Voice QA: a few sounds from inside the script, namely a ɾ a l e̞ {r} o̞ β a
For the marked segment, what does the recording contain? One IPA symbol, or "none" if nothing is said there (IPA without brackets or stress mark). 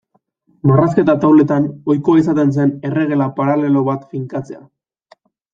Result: l